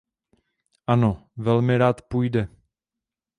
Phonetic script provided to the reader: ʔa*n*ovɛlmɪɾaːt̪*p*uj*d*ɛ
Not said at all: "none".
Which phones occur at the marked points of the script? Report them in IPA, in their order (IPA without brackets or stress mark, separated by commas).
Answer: n, p, d